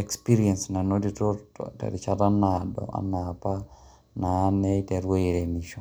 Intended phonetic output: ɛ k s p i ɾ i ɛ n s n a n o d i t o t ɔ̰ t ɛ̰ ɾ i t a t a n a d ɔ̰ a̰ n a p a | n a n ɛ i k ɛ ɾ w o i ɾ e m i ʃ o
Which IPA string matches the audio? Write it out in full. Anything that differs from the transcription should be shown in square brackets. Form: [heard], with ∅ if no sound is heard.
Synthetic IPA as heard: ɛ k s p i ɾ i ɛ n s n a n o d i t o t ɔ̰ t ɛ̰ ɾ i [t͡ʃ] a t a n a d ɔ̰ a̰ n a p a | n a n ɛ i [t] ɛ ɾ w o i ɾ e m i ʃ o